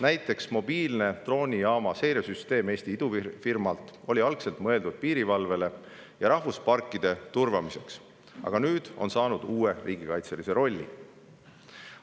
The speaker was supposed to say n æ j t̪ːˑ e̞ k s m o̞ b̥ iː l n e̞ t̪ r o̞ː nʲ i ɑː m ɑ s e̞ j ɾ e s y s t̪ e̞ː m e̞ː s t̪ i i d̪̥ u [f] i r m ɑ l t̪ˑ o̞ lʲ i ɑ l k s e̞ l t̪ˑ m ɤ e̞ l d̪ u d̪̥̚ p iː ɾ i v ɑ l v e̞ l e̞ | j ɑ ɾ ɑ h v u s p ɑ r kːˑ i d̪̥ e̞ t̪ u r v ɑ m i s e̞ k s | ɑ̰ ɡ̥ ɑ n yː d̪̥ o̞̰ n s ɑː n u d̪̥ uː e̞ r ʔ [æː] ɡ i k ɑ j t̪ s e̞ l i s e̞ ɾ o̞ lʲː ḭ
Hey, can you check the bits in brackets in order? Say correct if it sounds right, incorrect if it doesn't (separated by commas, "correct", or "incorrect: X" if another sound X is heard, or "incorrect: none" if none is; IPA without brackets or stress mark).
correct, incorrect: iː